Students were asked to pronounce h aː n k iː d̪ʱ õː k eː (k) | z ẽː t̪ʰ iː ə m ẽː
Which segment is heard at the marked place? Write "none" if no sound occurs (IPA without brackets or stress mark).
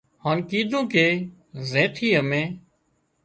none